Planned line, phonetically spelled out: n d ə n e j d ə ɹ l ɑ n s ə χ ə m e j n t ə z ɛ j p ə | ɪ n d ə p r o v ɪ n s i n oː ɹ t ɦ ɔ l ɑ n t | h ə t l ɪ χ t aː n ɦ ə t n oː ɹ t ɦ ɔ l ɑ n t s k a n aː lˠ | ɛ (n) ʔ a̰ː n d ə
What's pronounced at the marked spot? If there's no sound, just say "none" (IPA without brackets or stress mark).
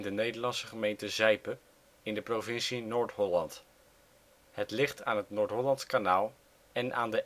n